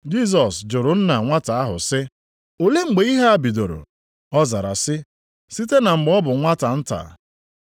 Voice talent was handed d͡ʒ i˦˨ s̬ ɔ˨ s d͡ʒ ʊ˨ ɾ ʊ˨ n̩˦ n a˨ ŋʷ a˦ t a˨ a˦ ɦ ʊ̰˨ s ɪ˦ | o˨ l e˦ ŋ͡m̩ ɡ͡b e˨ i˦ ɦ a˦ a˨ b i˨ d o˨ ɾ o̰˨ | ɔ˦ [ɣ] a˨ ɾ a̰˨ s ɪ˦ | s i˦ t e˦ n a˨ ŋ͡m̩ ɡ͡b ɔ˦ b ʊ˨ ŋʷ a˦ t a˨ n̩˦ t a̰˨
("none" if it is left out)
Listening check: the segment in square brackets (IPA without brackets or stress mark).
z